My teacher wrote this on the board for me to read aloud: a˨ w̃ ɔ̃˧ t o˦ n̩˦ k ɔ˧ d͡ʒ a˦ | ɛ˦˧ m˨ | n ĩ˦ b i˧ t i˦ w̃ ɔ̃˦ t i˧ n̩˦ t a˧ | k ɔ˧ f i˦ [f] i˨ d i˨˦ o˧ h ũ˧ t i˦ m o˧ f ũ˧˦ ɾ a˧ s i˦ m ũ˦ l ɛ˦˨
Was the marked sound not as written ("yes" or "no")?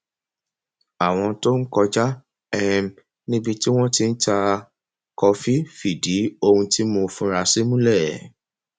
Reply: no